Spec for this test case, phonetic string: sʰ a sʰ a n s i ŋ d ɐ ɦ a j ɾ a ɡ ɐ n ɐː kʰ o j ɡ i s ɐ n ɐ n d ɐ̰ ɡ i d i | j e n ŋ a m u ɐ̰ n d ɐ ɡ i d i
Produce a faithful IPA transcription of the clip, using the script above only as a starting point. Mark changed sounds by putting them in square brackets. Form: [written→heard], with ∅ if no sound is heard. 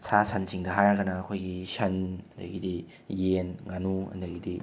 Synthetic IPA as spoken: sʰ a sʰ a n s i ŋ d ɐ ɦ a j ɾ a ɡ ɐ n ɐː kʰ o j ɡ i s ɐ n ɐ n d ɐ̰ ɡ i d i | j e n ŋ a [m→n] u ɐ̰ n d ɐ ɡ i d i